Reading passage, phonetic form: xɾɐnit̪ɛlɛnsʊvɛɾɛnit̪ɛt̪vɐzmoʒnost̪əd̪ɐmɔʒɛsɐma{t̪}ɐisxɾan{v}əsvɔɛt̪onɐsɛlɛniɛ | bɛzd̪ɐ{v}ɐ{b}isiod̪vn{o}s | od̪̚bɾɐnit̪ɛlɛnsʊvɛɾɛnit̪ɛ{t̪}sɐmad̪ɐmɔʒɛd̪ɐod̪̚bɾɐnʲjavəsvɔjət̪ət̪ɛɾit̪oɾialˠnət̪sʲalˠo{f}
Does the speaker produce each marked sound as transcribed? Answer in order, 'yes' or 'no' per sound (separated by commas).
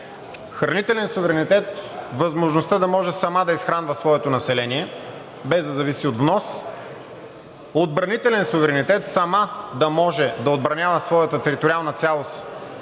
no, yes, no, no, no, yes, no